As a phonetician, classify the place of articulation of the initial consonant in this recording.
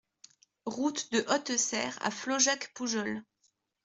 uvular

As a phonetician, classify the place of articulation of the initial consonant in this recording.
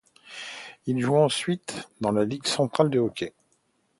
alveolar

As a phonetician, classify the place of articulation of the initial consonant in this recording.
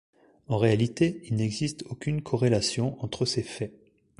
uvular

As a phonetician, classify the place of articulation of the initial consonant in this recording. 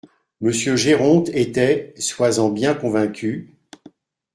labial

